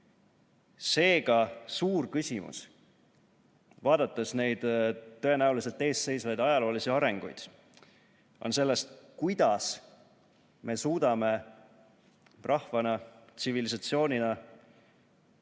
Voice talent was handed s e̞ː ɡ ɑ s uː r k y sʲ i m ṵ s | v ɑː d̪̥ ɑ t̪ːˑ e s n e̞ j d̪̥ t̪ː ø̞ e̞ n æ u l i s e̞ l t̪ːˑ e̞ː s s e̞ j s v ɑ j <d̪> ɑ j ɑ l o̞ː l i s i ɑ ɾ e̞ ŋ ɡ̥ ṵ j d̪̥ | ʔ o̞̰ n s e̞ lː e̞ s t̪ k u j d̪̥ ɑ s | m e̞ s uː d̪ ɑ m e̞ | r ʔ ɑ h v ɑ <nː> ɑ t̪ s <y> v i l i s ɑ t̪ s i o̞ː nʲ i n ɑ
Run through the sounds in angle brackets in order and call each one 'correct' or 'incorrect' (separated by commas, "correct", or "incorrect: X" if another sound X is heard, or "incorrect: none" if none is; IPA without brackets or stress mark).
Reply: correct, incorrect: n, incorrect: i